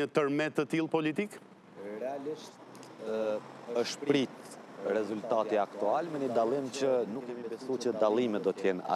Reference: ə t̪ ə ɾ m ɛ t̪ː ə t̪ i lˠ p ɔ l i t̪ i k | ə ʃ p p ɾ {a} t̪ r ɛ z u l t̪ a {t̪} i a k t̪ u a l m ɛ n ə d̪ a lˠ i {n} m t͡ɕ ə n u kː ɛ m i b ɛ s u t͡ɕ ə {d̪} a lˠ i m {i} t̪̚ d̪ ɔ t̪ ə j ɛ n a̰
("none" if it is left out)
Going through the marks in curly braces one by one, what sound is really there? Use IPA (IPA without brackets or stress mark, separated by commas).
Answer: i, t̪, none, d̪, ɛ